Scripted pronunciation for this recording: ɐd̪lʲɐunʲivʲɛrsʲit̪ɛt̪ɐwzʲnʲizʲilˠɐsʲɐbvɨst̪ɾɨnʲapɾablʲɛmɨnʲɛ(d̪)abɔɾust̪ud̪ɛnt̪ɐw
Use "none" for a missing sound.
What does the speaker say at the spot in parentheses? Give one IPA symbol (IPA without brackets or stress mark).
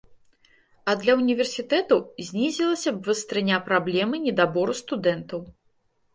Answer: d̪